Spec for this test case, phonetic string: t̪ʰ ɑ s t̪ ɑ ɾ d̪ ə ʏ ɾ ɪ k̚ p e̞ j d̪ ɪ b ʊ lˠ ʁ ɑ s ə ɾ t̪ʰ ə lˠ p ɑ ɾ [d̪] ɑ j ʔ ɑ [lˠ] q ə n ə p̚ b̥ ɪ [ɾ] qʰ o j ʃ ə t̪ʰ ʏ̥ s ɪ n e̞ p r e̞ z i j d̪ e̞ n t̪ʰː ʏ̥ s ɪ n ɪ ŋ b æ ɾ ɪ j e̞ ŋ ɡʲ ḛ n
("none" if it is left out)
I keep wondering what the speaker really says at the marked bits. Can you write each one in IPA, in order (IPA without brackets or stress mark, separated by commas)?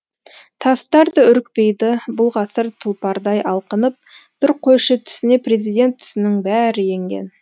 d̪, lˠ, ɾ